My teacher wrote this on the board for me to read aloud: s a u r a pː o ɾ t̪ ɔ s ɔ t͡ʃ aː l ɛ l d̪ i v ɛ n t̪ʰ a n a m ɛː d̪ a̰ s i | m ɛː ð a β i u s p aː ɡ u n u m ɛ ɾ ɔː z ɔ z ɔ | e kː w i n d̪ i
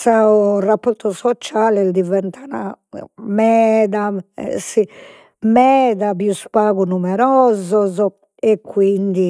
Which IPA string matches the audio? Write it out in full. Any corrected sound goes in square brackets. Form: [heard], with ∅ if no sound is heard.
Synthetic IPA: s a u r a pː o ɾ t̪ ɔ s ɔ t͡ʃ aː l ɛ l d̪ i v ɛ n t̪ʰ a n a m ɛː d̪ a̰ s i | m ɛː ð a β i u s p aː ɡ u n u m ɛ ɾ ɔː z ɔ z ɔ | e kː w i n d̪ i